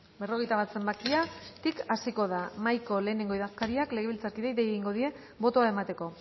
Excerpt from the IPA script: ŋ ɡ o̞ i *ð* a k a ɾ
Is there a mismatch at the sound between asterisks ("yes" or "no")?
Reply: no